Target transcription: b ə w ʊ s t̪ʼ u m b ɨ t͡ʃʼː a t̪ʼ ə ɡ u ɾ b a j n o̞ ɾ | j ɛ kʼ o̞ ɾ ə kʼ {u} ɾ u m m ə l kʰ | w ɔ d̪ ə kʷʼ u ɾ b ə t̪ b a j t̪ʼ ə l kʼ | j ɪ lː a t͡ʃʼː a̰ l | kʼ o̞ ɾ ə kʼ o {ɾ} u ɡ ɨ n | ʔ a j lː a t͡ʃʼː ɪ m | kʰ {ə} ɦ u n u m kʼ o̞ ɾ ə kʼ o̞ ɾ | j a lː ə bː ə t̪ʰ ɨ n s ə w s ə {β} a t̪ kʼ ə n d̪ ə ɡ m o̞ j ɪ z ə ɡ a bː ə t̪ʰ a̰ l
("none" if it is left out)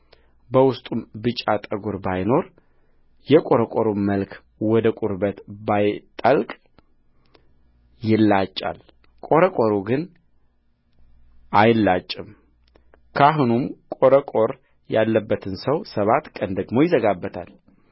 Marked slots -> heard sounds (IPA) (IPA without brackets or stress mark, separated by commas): o, ɾ, a, β